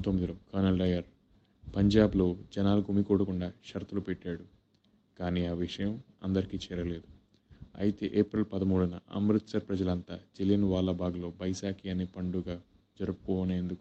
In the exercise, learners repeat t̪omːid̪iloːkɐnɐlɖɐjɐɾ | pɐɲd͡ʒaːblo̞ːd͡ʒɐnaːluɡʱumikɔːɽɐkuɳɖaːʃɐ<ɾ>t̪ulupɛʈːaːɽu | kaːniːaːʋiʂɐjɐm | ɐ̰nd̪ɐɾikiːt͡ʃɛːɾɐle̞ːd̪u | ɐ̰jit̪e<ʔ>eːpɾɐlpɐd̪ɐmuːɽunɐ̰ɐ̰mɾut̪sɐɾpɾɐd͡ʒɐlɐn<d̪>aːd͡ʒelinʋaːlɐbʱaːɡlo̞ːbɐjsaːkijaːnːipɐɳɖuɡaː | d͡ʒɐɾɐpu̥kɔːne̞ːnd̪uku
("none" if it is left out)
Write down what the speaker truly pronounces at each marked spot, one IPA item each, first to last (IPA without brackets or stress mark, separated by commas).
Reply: ɾ, ʔ, t̪